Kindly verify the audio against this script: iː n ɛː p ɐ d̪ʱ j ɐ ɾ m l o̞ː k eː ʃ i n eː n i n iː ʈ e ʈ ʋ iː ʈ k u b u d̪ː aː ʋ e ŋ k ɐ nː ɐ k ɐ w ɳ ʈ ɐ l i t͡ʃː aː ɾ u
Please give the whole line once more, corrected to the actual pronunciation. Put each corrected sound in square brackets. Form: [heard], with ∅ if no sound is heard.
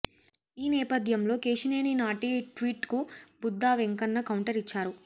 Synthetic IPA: iː n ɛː p ɐ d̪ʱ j ɐ [∅] m l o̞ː k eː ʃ i n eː n i n [aː] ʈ [i] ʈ ʋ iː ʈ k u b u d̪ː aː ʋ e ŋ k ɐ nː ɐ k ɐ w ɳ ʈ ɐ [ɾ] i t͡ʃː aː ɾ u